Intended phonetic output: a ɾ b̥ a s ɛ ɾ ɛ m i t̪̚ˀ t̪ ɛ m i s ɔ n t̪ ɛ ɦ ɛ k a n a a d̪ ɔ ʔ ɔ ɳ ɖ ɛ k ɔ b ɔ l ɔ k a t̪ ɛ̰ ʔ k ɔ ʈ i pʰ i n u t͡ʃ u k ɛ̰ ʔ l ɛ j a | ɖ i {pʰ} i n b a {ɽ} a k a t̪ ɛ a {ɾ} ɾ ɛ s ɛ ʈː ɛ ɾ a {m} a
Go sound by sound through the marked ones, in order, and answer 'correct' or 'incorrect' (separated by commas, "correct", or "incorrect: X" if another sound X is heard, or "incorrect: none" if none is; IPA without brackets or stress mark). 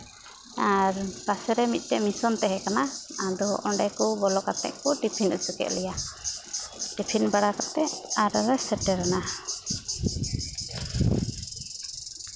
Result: correct, correct, correct, incorrect: n